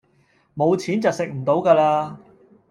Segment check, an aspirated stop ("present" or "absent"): present